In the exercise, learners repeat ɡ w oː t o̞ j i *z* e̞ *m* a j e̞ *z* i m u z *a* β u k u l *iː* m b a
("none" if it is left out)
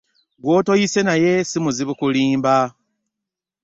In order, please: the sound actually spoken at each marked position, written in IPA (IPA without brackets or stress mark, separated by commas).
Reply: s, n, s, i, iː